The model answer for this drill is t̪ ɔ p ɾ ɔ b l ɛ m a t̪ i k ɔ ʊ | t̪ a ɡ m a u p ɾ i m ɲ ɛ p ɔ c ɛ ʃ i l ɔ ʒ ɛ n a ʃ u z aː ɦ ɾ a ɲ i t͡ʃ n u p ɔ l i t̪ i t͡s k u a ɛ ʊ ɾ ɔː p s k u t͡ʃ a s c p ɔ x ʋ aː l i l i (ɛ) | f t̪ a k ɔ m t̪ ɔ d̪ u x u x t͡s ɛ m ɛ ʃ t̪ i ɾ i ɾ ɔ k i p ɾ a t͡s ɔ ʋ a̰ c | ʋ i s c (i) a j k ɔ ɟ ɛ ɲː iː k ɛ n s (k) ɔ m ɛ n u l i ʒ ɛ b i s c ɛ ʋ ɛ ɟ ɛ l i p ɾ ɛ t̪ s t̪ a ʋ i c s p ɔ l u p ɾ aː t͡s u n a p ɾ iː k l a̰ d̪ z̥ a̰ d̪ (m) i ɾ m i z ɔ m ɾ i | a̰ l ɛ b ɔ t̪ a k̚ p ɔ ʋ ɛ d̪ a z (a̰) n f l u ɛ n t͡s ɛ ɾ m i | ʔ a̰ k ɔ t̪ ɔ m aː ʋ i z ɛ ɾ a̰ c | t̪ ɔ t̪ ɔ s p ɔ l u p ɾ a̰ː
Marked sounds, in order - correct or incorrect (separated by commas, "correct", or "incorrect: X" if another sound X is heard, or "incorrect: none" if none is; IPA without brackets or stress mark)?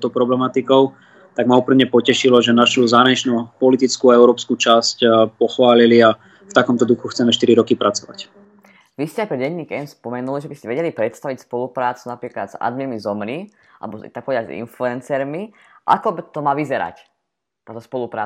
incorrect: a, incorrect: ɛ, incorrect: p, correct, incorrect: ḭ